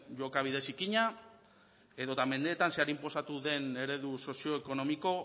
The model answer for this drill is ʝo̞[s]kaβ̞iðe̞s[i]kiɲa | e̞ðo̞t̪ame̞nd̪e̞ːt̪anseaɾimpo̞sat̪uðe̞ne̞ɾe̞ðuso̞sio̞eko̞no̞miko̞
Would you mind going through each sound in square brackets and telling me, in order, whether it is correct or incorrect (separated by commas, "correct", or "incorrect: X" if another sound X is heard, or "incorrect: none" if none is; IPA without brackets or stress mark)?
incorrect: none, correct